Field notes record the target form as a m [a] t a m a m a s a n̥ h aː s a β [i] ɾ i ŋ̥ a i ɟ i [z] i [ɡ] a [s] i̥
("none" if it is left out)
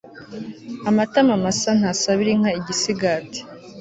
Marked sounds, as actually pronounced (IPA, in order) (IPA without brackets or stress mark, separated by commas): a, i, s, ɡ, t